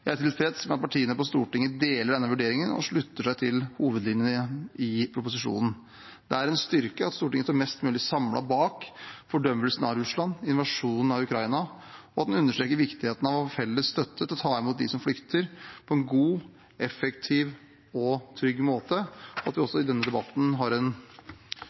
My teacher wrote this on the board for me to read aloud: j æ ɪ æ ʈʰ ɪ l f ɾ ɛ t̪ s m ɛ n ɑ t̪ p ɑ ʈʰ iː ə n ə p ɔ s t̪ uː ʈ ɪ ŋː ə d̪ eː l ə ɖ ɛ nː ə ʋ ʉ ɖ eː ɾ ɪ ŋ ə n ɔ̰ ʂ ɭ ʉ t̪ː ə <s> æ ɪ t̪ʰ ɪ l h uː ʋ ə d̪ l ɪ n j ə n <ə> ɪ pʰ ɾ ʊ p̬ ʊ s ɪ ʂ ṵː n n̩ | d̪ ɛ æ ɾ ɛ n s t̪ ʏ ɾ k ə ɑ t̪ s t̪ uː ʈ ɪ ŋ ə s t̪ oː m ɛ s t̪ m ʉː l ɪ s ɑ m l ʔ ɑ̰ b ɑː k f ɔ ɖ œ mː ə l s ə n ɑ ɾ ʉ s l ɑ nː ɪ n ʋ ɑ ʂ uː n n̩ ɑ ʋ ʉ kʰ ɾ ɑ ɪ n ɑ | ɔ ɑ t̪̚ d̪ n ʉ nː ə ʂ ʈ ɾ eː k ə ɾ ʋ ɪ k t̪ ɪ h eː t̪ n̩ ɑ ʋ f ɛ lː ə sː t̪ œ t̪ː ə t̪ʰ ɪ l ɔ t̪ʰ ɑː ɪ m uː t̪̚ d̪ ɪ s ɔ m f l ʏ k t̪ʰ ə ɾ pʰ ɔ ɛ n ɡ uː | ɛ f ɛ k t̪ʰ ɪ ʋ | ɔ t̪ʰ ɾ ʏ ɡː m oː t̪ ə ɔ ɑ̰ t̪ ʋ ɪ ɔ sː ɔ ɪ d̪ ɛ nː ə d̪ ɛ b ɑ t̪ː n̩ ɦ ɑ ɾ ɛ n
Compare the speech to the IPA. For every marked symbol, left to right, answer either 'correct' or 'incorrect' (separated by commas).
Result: incorrect, correct